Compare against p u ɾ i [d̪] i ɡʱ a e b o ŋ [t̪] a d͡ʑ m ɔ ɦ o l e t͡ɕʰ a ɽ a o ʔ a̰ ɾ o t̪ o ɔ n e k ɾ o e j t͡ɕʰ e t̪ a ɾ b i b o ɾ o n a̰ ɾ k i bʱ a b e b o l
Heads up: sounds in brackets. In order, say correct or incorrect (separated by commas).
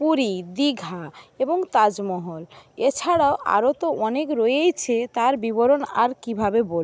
correct, correct